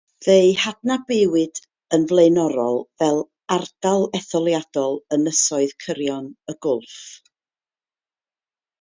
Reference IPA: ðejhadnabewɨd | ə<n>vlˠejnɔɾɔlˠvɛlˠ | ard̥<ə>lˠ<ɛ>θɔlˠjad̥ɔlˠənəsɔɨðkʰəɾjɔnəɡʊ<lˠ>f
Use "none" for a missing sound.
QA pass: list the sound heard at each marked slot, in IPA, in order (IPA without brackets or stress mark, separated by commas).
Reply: n, a, ɛ, lˠ